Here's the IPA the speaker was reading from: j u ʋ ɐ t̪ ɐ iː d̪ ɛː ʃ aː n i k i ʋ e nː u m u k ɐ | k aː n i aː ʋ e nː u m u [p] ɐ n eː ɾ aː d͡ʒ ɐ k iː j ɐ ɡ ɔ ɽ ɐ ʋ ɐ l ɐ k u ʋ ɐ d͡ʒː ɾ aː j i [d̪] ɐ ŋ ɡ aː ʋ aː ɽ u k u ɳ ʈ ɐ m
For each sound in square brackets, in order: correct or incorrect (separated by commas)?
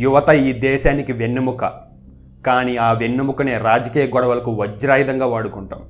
incorrect, correct